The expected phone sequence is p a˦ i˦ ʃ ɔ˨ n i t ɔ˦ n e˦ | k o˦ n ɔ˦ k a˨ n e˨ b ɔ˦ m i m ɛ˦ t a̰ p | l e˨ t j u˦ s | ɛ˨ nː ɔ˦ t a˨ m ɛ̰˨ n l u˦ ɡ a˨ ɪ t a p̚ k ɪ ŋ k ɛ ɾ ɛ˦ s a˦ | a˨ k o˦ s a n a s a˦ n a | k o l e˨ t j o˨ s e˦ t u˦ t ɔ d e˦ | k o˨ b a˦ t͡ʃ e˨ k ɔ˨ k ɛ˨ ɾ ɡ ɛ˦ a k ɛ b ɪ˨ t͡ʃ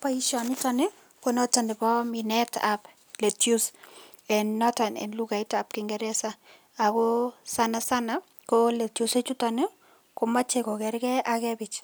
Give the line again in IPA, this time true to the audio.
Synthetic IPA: p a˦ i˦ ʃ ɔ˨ n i t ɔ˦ n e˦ | k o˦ n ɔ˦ t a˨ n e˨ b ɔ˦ m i n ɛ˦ t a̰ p | l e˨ t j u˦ s | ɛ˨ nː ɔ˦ t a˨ n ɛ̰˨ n l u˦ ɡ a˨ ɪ t a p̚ k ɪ ŋ ɡ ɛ ɾ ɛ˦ s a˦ | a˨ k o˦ s a n a s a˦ n a | k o l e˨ t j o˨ s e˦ t͡ʃ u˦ t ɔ n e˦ | k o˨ m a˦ t͡ʃ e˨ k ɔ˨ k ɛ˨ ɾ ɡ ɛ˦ a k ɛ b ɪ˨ t͡ʃ